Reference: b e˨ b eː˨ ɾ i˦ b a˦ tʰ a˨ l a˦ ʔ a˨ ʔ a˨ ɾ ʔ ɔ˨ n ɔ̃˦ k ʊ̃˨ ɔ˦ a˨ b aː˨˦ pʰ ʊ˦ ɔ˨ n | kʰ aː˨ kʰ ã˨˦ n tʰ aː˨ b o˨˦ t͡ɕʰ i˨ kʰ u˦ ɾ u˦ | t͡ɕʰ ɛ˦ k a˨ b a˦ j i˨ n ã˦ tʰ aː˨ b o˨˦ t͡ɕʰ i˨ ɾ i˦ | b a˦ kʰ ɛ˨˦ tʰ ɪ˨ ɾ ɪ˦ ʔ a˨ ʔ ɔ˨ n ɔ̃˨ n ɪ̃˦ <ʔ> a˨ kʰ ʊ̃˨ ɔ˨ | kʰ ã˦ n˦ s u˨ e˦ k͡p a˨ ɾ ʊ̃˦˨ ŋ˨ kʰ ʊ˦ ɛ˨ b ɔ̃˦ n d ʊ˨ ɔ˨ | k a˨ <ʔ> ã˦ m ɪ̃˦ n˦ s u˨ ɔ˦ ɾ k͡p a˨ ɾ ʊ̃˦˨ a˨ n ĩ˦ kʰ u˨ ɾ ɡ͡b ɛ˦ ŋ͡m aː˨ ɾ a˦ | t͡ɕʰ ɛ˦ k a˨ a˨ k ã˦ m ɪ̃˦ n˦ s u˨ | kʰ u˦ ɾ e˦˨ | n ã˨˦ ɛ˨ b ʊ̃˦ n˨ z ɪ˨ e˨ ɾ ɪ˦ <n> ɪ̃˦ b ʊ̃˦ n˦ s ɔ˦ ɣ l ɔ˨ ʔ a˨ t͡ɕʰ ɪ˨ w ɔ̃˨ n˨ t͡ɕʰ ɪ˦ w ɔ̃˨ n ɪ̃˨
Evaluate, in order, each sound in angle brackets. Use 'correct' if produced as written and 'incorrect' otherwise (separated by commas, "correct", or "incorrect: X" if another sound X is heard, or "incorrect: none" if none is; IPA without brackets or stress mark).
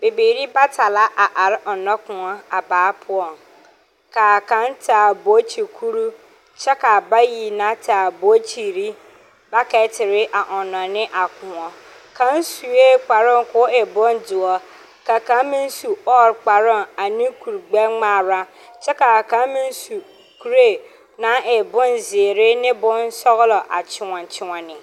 correct, incorrect: k, correct